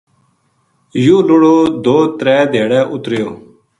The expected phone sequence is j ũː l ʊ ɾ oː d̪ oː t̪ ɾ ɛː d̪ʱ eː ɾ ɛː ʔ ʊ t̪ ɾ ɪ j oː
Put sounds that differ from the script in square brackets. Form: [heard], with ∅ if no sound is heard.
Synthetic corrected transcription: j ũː l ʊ [ɽ] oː d̪ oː t̪ ɾ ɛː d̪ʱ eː [ɽ] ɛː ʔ ʊ t̪ ɾ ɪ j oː

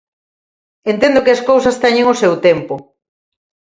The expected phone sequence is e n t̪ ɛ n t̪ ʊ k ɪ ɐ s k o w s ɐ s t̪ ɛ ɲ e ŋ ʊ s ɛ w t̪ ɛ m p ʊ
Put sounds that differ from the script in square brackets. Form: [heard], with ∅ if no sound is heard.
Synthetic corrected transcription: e n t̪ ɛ n [d̪] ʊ k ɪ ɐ s k o w s ɐ s t̪ ɛ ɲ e ŋ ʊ s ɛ w t̪ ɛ m p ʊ

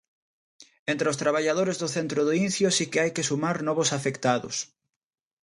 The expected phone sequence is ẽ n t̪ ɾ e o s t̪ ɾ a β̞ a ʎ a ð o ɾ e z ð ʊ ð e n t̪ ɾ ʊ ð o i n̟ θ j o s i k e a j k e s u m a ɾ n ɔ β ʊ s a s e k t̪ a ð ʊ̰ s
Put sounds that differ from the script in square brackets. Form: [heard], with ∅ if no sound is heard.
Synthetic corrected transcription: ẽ n t̪ ɾ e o s t̪ ɾ a β̞ a ʎ a ð o ɾ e z ð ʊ [θ] e n t̪ ɾ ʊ ð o i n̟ θ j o s i k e a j k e s u m a ɾ n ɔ β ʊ s a [f] e k t̪ a ð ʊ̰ s

